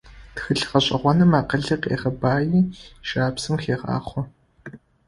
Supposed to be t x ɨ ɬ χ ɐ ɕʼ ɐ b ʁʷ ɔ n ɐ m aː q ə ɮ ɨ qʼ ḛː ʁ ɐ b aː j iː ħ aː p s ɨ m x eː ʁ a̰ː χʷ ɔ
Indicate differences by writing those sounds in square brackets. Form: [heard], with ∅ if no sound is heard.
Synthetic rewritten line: t x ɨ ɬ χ ɐ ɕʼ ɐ [∅] ʁʷ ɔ n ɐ m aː q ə ɮ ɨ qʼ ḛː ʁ ɐ b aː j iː [ʃ] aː p s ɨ m x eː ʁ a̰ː χʷ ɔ